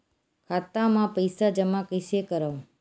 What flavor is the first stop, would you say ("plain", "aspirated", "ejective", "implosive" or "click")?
aspirated